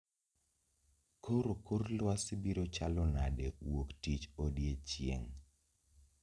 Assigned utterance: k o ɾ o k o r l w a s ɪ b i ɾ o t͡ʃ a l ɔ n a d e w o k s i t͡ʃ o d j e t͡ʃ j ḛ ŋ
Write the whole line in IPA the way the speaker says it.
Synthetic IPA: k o ɾ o k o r l w a s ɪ b i ɾ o t͡ʃ a l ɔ n a d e w o k t i t͡ʃ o d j e t͡ʃ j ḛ ŋ